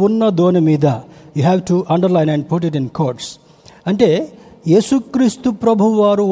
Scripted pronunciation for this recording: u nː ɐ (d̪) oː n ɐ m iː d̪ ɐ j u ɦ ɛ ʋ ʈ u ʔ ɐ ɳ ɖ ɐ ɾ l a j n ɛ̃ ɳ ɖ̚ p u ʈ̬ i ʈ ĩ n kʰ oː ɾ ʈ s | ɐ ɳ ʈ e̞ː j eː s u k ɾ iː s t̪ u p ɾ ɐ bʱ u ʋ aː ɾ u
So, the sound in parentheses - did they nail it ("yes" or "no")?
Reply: yes